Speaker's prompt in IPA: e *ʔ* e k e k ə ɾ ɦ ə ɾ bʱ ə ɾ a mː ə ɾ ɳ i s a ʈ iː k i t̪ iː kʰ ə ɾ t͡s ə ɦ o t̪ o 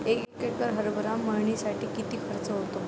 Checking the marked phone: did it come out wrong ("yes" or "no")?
yes